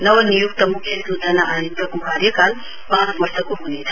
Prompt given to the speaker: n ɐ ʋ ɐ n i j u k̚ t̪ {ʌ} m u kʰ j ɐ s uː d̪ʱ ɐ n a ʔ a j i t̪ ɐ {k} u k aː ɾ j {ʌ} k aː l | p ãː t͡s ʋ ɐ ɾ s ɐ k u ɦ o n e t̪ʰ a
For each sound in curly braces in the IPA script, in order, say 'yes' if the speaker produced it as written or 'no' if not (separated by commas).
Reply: no, yes, no